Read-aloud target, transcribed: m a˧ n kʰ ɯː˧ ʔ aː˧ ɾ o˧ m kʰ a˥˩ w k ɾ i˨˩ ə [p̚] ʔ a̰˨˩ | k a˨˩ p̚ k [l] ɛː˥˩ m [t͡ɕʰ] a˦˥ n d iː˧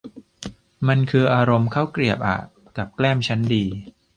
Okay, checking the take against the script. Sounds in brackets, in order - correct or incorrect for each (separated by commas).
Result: correct, correct, correct